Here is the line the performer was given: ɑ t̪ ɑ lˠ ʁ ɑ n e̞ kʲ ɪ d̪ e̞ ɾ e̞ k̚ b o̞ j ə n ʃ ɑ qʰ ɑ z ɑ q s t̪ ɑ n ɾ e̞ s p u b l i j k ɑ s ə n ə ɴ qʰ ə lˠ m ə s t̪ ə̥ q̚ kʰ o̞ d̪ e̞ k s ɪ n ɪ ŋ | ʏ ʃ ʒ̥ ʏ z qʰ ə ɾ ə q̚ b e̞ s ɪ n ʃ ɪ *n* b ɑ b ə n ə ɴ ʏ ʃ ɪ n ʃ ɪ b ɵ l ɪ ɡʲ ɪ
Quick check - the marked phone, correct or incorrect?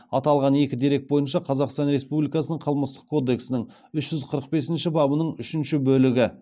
incorrect